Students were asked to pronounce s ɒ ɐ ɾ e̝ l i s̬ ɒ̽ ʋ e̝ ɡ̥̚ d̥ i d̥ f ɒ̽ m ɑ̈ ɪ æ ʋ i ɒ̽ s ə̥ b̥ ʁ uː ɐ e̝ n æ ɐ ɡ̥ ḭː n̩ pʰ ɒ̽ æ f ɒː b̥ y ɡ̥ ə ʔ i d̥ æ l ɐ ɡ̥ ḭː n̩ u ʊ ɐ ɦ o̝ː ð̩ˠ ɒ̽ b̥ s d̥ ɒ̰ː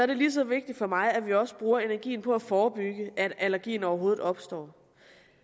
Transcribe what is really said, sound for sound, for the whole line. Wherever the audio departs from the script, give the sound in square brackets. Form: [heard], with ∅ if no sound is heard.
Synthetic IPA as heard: s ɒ ɐ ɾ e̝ l i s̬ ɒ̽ ʋ e̝ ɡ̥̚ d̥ i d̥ f ɒ̽ m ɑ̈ ɪ æ ʋ i ɒ̽ s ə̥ b̥ ʁ uː ɐ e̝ n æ ɐ ɡ̥ ḭː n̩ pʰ ɒ̽ æ f ɒː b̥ y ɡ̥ ə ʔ [æ] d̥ æ l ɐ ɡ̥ ḭː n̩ [ɒ] ʊ ɐ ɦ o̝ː ð̩ˠ ɒ̽ b̥ s d̥ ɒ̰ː